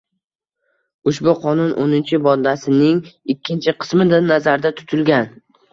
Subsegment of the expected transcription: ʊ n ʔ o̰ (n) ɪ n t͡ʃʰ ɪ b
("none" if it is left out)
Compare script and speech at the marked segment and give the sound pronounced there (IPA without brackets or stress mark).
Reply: n